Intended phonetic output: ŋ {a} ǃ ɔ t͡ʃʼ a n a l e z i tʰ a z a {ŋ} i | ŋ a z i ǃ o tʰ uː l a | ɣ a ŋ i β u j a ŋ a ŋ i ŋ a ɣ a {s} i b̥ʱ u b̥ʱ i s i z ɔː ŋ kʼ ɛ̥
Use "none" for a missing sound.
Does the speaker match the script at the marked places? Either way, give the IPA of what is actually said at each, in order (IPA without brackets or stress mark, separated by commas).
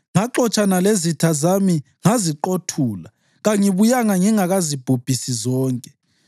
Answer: a, m, z